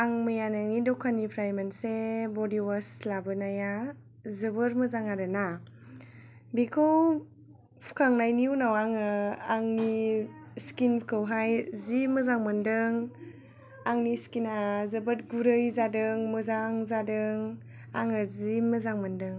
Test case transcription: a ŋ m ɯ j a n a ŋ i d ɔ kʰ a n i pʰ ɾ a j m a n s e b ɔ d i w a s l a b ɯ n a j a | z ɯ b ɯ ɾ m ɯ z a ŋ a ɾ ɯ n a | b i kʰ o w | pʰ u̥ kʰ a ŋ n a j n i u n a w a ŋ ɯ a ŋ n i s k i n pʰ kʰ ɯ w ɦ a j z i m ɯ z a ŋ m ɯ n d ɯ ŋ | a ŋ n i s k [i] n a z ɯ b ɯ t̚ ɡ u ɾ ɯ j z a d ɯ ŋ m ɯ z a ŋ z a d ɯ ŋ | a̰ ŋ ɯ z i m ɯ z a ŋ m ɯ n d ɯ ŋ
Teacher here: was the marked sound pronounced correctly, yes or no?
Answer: yes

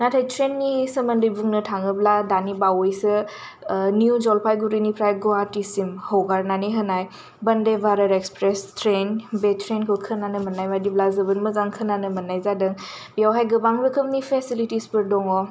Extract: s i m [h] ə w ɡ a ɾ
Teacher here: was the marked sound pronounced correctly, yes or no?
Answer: yes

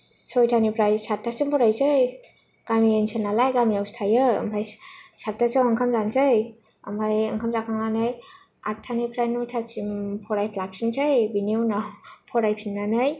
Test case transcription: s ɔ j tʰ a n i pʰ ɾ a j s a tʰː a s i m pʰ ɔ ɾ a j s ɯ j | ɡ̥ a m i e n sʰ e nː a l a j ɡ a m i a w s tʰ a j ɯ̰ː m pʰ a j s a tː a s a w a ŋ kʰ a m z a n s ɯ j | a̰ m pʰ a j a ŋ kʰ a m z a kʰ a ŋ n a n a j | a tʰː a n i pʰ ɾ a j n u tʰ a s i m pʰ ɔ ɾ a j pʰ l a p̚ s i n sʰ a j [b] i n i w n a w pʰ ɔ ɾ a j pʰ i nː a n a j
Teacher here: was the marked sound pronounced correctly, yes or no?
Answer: yes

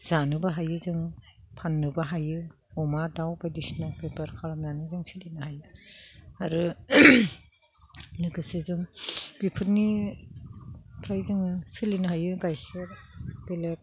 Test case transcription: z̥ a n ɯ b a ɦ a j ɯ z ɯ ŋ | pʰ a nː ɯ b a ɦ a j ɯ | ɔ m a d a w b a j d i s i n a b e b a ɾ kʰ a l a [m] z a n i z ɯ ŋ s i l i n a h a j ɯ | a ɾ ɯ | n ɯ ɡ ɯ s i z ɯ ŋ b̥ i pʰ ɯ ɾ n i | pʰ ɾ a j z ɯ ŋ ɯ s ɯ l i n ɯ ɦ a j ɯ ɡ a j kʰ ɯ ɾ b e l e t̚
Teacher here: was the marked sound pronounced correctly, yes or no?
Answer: yes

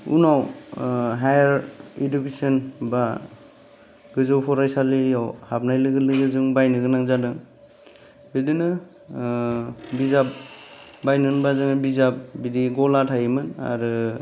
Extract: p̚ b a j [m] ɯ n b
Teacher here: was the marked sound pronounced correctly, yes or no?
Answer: no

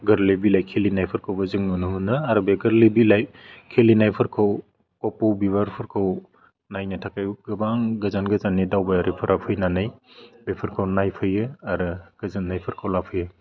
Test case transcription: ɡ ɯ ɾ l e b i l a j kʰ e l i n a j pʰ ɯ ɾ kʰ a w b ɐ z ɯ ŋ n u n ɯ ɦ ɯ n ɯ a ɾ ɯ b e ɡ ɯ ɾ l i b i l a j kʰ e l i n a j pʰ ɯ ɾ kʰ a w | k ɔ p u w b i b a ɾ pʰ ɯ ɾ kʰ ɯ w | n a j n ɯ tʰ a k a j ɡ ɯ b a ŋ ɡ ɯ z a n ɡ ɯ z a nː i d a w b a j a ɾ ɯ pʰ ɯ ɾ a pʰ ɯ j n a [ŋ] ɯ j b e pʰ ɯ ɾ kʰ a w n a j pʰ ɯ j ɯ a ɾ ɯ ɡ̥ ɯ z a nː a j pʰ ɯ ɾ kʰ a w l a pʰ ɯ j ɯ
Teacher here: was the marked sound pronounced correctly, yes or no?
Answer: no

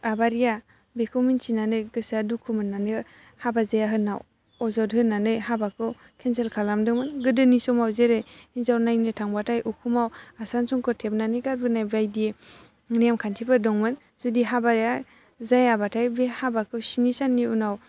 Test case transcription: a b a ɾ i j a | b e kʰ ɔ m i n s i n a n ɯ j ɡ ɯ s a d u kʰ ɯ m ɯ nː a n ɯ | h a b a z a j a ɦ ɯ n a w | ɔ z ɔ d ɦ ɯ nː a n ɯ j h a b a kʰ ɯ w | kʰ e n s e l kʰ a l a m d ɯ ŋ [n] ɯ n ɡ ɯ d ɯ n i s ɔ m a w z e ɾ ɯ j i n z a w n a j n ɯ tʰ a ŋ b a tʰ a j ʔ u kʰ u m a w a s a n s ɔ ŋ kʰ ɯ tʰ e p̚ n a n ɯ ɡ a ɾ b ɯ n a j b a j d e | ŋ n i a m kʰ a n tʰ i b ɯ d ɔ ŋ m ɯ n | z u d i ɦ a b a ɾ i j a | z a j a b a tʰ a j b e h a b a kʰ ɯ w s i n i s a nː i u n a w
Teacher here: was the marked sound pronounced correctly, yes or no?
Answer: no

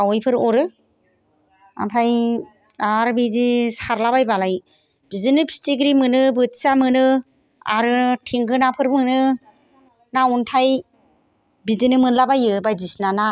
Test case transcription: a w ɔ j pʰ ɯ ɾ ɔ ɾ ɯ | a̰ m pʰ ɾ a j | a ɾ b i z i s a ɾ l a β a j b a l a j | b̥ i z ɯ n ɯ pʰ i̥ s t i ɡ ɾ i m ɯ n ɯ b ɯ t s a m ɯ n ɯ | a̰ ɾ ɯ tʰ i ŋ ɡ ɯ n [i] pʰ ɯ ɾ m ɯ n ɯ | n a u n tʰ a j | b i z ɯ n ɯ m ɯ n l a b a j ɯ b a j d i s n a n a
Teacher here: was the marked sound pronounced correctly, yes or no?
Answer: no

